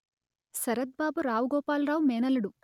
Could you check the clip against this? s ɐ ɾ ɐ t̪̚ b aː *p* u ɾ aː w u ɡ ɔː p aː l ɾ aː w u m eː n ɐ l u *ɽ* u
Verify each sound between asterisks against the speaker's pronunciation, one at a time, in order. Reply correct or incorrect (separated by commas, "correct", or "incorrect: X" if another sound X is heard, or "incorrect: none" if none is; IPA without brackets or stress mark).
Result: incorrect: b, correct